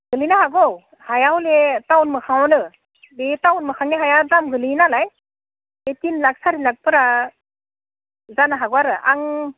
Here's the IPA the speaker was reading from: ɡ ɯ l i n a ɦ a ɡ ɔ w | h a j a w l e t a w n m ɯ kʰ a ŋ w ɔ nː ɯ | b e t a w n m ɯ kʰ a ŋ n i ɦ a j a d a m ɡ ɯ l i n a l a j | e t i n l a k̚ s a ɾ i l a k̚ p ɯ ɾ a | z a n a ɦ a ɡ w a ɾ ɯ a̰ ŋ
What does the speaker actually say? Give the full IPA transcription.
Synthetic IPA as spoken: ɡ ɯ l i n a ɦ a ɡ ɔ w | h a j a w l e t a w n m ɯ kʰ a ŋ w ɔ n ɯ | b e t a w n m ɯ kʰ a ŋ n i ɦ a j a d a m ɡ ɯ l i n a l a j | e t i n l a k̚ s a ɾ i l a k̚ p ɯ ɾ a | z a n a ɦ a ɡ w a ɾ ɯ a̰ ŋ